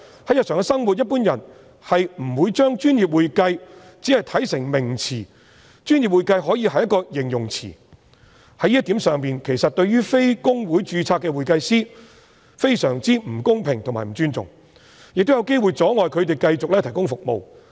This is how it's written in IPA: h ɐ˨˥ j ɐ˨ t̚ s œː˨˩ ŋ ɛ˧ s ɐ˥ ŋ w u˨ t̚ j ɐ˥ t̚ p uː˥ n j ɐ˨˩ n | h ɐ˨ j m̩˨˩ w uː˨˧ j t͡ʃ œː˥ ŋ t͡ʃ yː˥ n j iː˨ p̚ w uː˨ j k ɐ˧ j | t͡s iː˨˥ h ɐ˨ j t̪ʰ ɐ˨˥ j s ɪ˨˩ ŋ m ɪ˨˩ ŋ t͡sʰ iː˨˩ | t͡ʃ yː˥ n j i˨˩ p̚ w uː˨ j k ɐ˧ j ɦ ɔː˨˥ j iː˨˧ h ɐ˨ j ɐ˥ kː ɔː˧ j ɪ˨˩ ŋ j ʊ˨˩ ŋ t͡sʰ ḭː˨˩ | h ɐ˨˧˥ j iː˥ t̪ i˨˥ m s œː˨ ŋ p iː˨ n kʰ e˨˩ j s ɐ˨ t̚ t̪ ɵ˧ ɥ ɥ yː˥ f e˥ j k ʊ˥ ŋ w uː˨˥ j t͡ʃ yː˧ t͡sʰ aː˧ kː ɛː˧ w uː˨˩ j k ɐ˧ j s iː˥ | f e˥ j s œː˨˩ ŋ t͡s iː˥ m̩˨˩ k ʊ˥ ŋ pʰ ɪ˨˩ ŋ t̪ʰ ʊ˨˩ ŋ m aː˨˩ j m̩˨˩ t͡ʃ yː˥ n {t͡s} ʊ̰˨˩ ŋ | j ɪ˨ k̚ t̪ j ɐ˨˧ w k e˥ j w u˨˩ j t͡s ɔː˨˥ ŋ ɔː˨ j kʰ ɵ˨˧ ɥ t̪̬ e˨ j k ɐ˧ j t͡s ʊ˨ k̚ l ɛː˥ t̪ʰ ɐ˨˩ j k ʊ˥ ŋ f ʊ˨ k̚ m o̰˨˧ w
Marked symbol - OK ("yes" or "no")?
yes